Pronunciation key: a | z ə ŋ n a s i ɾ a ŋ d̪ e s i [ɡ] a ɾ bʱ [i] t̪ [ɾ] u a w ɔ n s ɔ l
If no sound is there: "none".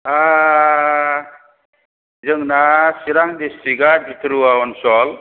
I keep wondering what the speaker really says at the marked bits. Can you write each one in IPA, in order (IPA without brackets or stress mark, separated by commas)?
ɡ, i, ɾ